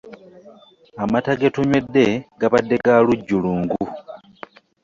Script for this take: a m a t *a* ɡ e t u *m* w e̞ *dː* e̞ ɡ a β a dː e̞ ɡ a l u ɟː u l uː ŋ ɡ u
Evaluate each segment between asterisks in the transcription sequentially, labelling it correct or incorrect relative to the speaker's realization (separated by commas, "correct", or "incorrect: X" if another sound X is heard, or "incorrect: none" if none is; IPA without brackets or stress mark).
correct, incorrect: ɲ, correct